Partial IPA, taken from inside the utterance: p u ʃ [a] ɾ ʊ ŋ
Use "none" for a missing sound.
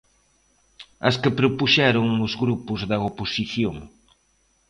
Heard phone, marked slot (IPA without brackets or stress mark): ɛ